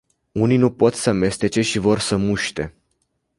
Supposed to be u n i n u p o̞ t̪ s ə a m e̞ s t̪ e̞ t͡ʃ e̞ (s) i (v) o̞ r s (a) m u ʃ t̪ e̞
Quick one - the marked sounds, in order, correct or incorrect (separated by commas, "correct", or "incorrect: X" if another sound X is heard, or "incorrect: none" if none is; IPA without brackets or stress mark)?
incorrect: ʃ, correct, incorrect: ə